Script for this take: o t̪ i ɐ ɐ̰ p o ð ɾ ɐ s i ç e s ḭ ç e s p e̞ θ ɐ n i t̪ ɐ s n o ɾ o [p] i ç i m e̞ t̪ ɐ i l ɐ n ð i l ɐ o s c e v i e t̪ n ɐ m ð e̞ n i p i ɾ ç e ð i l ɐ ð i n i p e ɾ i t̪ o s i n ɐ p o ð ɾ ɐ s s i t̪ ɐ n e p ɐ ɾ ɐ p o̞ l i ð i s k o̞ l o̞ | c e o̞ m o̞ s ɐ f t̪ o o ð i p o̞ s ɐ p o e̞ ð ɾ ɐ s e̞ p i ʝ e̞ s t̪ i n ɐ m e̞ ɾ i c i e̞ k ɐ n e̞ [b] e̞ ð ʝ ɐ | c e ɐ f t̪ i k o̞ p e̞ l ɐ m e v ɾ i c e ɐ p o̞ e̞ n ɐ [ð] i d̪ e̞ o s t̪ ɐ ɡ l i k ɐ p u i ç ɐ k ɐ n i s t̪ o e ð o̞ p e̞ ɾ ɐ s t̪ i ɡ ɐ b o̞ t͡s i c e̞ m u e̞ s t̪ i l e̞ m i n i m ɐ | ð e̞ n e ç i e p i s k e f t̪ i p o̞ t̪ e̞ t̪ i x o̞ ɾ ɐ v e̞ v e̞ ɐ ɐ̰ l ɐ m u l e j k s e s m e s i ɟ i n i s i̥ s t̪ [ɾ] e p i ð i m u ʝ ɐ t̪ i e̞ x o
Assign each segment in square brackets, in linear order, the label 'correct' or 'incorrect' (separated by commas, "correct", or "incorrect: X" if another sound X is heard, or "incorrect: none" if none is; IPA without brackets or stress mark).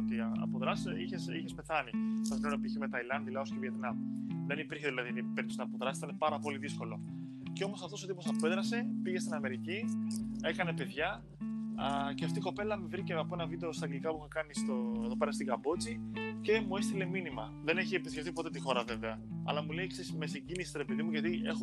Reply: correct, incorrect: p, incorrect: v, correct